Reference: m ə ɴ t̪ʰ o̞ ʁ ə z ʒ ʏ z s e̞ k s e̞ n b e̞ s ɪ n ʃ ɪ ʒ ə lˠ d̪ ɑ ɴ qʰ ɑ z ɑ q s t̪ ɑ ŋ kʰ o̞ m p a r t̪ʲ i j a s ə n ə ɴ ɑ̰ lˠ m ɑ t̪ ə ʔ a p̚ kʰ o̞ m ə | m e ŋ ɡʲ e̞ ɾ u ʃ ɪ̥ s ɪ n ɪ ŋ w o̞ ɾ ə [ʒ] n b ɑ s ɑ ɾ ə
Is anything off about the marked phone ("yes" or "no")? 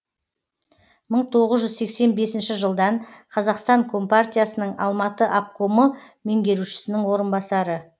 yes